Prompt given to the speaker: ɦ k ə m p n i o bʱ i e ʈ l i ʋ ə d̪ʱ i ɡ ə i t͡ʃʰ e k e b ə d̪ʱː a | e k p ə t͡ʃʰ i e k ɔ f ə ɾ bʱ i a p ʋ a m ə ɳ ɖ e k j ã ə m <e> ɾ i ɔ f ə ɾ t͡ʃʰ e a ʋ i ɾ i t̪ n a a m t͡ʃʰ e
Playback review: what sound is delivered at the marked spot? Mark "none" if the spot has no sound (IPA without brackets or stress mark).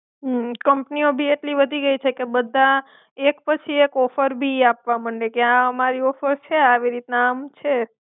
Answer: a